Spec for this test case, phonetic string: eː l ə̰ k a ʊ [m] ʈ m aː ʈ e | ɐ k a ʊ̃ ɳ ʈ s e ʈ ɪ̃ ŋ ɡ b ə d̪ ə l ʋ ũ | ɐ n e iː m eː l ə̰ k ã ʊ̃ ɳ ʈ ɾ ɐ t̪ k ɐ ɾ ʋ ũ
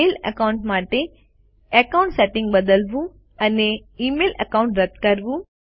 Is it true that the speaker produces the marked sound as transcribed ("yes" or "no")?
no